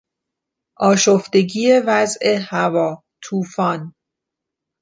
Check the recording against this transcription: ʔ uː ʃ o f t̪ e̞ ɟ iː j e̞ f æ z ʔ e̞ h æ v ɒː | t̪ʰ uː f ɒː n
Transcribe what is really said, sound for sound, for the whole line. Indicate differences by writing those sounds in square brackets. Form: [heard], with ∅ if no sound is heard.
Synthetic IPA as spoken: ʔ [ɒː] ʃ o f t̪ e̞ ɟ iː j e̞ [v] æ z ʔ e̞ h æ v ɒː | t̪ʰ uː f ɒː n